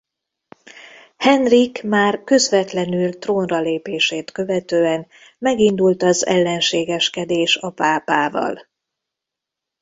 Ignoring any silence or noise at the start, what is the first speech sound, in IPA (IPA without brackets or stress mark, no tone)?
h